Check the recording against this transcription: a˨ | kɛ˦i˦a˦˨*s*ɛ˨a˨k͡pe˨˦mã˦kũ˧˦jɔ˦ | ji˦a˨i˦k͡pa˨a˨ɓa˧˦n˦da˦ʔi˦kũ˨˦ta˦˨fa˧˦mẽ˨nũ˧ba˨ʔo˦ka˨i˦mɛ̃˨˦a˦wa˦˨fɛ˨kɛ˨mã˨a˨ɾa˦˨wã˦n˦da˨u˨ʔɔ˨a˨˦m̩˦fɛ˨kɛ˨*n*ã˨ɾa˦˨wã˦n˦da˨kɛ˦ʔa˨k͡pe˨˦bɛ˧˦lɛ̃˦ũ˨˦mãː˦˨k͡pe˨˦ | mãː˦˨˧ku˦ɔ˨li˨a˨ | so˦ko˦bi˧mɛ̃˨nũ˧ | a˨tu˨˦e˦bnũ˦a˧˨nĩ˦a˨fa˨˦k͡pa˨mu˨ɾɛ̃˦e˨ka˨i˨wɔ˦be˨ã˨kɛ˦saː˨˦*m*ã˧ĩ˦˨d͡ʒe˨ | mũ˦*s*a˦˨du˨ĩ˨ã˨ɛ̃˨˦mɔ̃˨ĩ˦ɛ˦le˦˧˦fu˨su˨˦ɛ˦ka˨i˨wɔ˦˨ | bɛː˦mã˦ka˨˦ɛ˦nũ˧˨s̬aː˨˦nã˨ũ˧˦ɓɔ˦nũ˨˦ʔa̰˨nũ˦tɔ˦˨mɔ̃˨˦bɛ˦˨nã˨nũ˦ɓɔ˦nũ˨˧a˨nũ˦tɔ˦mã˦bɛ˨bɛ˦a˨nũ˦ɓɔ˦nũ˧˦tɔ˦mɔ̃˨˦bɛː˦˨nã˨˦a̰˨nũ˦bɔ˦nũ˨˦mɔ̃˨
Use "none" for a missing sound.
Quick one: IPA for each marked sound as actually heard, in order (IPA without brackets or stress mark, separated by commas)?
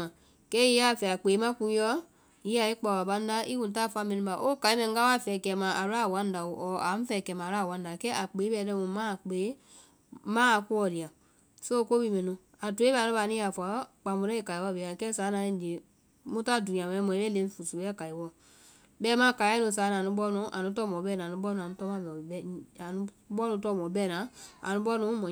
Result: f, m, n, t